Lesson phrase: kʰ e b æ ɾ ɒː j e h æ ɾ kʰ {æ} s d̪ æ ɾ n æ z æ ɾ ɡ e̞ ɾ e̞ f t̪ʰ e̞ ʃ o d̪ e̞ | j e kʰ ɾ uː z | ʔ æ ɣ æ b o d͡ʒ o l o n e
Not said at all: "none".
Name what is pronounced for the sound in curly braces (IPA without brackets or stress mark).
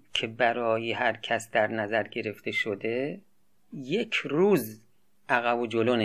æ